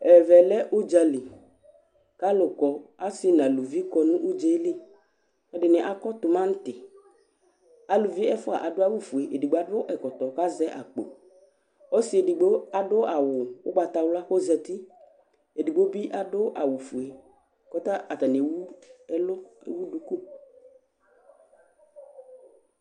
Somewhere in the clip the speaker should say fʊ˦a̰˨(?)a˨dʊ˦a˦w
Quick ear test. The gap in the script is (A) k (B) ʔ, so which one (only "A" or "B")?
B